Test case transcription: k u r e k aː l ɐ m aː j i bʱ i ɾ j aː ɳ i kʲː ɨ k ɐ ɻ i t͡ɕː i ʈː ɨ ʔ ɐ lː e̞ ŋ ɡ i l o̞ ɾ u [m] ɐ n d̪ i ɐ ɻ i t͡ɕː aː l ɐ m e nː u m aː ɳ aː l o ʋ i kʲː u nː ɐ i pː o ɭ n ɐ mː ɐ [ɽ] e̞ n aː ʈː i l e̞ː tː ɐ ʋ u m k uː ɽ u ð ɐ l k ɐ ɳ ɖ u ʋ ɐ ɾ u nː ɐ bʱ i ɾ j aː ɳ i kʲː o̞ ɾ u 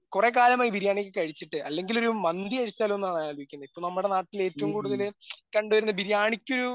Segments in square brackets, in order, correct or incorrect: correct, correct

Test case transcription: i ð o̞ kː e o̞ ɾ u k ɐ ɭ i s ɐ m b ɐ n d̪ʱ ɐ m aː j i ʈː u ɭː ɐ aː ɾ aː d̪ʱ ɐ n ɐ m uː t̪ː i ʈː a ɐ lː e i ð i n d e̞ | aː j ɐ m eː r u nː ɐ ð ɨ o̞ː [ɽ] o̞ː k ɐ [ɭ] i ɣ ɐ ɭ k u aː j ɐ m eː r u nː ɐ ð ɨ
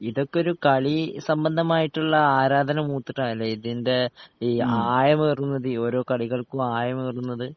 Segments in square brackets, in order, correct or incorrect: incorrect: ɾ, correct

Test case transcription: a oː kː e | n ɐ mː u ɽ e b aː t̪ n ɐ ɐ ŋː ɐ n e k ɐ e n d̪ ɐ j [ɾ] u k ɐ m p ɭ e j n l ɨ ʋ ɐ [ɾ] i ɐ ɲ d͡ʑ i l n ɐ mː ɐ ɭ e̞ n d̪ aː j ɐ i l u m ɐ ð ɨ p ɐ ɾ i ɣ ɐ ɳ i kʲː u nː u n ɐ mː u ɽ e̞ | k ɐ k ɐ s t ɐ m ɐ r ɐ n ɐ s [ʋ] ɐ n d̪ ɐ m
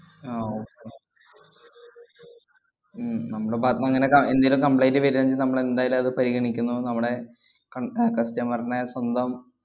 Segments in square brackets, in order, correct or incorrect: incorrect: l, correct, incorrect: w

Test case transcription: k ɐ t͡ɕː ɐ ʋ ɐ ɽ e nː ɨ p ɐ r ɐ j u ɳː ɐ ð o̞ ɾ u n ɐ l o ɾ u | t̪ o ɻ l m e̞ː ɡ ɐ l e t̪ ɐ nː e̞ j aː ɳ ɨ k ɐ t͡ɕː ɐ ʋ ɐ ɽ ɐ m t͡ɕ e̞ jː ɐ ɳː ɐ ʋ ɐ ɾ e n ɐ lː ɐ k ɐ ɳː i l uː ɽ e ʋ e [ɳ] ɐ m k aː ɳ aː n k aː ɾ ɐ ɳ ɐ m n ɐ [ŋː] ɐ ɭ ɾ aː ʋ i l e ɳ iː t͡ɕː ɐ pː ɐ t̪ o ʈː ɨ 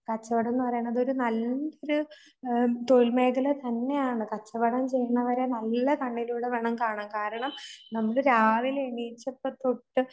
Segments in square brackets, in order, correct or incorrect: correct, incorrect: mː

